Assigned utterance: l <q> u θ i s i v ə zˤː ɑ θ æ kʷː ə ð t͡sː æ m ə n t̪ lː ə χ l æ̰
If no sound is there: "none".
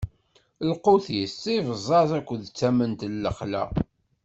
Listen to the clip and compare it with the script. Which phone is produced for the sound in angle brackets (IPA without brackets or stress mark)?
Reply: q